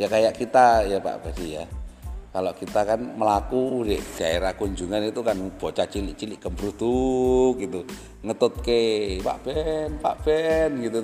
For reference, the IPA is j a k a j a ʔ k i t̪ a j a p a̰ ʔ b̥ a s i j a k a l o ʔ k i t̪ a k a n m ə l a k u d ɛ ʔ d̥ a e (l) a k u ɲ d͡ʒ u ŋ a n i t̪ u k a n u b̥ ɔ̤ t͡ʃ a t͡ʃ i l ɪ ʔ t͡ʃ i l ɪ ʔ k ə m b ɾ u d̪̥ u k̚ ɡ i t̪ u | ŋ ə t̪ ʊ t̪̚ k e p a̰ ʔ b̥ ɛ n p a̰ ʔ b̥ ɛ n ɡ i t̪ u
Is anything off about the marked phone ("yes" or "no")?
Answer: yes